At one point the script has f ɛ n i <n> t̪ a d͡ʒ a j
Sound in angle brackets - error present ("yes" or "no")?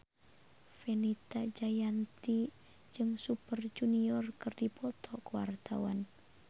yes